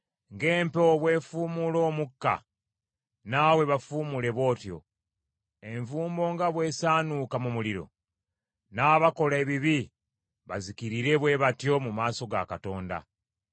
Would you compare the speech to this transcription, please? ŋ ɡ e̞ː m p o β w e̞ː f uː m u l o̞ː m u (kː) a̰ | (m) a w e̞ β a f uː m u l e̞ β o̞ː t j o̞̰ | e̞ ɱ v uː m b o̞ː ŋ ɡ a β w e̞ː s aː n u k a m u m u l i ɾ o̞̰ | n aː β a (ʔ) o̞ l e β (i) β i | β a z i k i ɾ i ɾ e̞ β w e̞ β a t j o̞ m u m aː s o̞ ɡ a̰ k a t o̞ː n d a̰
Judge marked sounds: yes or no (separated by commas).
yes, no, no, yes